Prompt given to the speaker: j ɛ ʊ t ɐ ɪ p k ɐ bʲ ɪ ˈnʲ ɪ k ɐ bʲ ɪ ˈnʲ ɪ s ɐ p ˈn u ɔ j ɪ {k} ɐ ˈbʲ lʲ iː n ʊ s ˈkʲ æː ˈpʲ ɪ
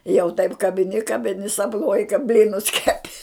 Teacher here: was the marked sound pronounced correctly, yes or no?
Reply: yes